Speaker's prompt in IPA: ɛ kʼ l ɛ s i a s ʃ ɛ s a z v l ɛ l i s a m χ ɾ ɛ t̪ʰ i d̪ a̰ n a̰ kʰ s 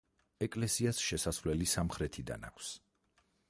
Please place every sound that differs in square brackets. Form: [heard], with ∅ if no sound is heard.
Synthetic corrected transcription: ɛ kʼ l ɛ s i a s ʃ ɛ s a [s] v l ɛ l i s a m χ ɾ ɛ t̪ʰ i d̪ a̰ n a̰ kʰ s